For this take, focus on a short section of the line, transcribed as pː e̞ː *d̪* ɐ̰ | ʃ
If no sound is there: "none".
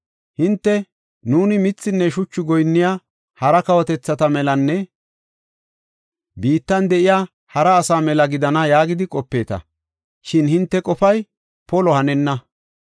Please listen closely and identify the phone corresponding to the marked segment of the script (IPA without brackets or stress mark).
t̪